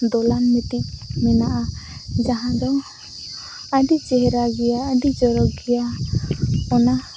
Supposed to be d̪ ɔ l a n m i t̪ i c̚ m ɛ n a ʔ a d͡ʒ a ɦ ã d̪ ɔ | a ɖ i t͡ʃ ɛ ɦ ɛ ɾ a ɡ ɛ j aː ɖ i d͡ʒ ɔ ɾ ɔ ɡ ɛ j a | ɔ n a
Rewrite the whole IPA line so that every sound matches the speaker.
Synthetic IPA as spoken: d̪ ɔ l a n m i t̪ i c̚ m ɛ n a ʔ a d͡ʒ a ɦ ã d̪ ɔ | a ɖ i t͡ʃ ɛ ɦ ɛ ɾ a ɡ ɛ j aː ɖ i d͡ʒ ɔ ɾ ɔ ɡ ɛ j a | ɔ n a